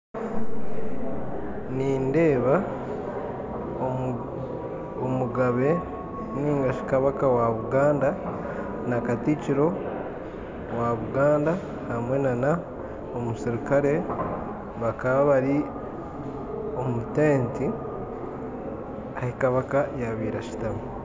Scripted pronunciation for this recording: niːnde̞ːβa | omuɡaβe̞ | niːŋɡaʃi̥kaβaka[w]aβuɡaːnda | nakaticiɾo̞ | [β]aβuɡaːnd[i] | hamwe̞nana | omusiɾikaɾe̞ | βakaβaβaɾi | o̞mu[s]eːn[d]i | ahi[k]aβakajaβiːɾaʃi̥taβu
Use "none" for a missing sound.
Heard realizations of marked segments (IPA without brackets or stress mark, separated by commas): w, w, a, t, t, k